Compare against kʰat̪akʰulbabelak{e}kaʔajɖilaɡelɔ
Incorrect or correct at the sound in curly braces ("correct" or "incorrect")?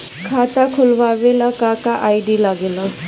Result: incorrect